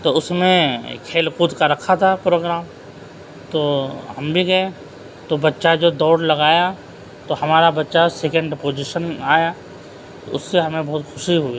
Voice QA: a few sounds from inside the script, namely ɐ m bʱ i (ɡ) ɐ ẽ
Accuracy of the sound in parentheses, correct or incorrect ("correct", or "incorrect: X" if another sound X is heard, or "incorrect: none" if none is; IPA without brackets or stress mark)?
correct